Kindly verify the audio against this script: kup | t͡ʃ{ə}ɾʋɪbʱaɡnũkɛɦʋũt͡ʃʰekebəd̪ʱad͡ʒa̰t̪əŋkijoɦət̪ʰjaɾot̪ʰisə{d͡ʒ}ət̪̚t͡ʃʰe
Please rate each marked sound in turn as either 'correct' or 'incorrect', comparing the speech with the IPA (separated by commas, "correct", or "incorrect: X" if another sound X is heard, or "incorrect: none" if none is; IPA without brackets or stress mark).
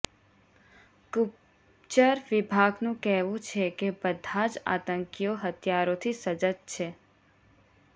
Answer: correct, correct